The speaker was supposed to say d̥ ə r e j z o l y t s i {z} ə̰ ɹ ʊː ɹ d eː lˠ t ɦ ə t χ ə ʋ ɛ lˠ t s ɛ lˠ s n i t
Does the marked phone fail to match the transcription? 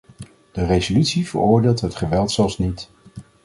yes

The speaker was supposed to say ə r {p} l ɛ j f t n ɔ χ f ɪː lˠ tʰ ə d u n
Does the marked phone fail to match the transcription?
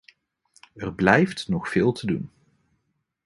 yes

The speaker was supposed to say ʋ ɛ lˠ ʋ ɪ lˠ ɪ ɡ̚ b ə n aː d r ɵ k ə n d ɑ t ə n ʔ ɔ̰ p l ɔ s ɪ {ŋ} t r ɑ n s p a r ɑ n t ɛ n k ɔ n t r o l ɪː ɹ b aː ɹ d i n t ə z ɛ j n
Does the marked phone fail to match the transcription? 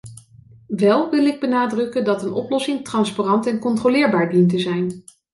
no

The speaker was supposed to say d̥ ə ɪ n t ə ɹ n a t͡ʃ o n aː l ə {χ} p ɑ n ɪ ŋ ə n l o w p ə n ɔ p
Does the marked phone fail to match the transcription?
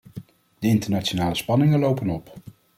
yes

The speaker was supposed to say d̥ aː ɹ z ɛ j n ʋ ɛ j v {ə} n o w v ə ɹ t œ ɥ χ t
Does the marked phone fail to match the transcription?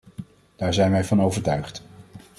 yes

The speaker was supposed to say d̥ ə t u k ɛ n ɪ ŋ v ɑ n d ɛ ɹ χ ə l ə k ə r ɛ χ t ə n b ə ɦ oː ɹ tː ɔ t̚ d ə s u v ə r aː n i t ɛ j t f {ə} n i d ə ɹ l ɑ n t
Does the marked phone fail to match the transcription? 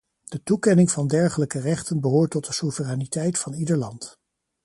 yes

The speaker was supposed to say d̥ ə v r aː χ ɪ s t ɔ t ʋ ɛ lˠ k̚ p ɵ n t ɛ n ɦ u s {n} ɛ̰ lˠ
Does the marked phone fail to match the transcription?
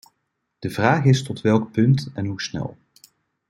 no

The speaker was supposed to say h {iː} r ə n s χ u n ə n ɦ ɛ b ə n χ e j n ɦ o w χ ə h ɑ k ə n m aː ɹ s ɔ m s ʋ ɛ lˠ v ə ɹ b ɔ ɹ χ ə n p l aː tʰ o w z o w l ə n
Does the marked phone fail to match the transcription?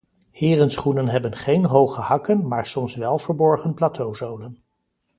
yes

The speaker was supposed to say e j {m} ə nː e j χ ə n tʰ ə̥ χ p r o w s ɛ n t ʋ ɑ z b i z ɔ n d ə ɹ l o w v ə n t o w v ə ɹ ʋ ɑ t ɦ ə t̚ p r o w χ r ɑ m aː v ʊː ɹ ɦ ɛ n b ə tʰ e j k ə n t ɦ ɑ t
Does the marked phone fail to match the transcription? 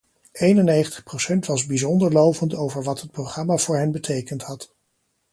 yes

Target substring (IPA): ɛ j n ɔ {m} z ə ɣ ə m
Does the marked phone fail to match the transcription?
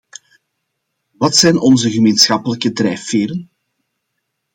yes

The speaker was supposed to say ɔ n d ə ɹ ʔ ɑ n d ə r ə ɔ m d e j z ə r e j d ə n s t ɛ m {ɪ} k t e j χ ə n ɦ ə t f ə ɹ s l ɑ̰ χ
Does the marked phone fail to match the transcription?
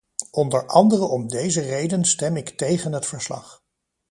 no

